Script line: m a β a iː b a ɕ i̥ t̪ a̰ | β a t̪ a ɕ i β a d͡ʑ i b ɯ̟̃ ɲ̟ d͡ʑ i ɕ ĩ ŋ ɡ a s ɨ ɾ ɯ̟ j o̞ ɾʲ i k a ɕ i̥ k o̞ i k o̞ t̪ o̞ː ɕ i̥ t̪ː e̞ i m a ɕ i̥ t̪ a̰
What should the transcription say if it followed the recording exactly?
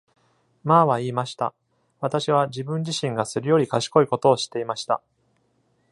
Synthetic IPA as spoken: m a β a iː m a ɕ i̥ t̪ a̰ | β a t̪ a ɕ i β a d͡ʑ i b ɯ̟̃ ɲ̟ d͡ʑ i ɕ ĩ ŋ ɡ a s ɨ ɾ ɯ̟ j o̞ ɾʲ i k a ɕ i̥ k o̞ i k o̞ t̪ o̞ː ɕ i̥ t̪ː e̞ i m a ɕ i̥ t̪ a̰